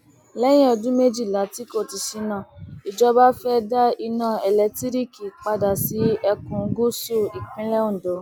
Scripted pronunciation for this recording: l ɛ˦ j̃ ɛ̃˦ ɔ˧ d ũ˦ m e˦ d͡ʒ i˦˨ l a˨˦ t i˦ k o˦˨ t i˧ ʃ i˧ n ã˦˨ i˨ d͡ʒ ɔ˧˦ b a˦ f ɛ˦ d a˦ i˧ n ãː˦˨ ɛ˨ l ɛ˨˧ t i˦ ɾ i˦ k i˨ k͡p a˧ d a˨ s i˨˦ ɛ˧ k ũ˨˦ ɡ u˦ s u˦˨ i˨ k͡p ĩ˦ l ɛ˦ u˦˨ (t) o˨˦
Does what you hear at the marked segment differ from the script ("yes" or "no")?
yes